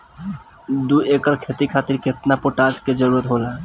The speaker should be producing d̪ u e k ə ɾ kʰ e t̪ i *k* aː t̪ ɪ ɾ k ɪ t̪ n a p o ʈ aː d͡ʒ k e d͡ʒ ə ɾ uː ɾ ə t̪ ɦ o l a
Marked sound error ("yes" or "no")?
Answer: yes